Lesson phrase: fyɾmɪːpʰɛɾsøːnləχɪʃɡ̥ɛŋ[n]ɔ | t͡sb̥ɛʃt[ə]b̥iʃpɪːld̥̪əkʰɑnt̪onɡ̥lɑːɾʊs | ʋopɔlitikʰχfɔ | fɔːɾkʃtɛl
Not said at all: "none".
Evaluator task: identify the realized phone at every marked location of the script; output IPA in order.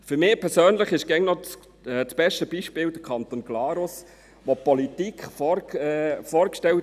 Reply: n, ə

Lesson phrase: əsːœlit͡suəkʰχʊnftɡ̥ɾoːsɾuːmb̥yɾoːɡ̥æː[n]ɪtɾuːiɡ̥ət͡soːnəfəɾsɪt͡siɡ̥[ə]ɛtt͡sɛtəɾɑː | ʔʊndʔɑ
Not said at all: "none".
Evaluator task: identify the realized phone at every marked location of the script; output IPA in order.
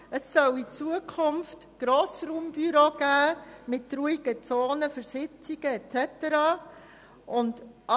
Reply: m, ə

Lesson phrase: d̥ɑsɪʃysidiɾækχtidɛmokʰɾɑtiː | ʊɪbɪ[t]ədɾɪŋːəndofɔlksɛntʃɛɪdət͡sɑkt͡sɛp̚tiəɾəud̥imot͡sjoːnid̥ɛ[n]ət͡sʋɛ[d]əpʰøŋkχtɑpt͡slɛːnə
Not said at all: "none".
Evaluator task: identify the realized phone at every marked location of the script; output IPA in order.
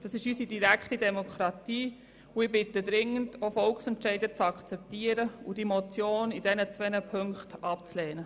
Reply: t, n, n

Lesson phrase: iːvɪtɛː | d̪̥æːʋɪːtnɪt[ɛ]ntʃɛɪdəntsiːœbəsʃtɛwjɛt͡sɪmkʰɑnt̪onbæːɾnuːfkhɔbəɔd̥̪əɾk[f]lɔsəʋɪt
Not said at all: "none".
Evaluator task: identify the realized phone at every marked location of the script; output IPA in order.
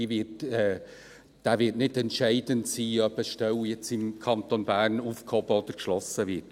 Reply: ɛ, ʃ

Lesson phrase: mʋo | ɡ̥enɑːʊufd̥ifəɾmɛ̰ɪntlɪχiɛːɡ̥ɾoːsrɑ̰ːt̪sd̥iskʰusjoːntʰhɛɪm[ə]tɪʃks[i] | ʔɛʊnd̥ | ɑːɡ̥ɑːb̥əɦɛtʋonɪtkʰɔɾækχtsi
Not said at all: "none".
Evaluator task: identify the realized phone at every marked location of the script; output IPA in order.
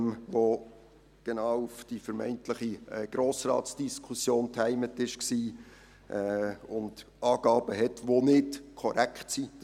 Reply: ə, iː

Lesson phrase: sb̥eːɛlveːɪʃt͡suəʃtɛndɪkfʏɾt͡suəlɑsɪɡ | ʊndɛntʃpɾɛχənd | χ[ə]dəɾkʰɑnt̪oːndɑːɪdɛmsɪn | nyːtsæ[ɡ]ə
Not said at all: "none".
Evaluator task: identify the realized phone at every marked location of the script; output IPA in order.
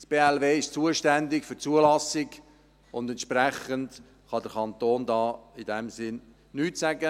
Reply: ɑ, ɡ

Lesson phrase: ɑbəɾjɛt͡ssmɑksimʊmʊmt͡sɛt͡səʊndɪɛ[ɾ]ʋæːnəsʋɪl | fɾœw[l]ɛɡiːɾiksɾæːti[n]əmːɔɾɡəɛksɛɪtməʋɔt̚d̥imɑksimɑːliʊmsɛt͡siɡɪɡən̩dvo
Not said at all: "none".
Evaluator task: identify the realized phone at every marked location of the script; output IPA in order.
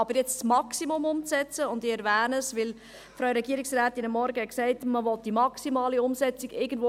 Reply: ɾ, ɾ, n

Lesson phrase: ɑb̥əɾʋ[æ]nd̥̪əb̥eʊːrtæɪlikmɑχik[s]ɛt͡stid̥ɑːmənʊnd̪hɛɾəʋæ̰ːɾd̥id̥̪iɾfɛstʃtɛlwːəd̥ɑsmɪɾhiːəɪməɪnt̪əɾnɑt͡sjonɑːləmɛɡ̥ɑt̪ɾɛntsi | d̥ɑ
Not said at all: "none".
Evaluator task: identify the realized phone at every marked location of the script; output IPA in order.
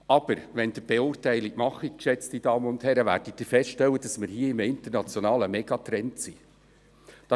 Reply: ɛ, ʃ

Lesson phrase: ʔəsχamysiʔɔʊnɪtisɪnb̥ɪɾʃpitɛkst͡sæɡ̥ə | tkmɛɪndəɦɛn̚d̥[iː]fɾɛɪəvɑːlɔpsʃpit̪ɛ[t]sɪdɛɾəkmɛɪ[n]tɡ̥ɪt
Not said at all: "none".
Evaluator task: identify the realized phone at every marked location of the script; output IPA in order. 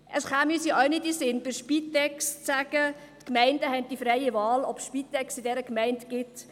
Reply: i, k, n

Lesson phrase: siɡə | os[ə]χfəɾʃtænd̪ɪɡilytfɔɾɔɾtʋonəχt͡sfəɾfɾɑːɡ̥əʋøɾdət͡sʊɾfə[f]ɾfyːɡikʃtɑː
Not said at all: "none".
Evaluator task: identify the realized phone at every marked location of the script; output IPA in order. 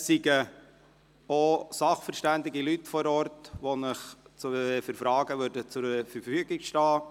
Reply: ɑ, none

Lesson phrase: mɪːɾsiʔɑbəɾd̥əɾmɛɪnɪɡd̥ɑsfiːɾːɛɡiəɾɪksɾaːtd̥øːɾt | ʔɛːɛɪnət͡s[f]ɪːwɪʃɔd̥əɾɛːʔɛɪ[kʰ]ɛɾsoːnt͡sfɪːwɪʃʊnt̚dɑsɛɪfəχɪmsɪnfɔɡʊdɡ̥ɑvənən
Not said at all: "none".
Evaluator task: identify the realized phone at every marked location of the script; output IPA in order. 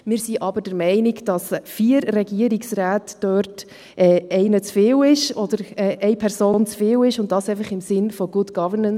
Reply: f, pʰ

